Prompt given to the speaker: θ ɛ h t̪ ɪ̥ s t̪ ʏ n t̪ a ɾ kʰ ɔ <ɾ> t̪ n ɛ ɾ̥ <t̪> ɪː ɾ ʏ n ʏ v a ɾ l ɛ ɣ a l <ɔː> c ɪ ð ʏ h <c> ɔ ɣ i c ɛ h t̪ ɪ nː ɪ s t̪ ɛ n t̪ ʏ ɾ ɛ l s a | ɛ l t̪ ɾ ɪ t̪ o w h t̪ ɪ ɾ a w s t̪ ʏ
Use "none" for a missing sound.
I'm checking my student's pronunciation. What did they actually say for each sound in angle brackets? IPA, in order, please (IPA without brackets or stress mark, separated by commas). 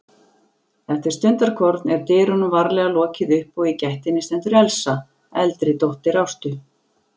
ɾ, t̪, ɔː, p